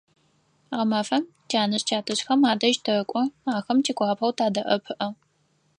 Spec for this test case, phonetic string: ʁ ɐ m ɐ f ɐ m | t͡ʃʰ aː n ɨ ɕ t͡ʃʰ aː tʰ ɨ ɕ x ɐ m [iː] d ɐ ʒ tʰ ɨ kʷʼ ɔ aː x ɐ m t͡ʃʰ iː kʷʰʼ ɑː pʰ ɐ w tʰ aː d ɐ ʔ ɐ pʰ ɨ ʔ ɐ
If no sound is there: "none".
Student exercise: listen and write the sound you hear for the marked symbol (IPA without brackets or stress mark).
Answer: aː